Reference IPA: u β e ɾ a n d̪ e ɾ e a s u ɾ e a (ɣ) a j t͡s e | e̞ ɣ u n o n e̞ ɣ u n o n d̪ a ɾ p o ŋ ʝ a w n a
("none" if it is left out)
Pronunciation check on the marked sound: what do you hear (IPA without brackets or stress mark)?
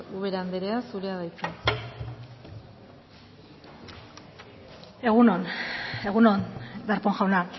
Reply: ð